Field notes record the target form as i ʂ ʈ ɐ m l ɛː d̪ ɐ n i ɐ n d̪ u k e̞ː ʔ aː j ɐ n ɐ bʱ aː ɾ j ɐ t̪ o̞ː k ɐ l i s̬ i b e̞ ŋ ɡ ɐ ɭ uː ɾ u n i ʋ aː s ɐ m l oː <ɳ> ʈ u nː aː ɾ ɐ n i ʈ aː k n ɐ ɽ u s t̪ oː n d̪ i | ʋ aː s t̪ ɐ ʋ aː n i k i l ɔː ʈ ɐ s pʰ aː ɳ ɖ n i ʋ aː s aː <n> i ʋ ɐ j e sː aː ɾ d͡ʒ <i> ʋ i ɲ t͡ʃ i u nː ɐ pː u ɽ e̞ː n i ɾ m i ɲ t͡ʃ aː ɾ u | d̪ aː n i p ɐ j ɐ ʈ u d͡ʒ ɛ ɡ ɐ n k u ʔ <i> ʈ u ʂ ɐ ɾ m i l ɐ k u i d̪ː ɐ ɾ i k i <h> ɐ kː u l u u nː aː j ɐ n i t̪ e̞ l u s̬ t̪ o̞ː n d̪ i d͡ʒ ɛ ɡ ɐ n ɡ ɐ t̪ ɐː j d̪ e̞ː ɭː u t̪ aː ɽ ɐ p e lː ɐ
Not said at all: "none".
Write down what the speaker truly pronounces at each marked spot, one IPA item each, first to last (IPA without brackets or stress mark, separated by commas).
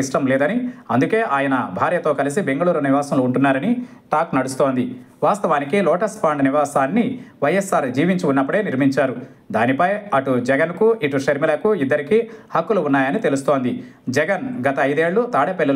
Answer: ɳ, nː, iː, i, h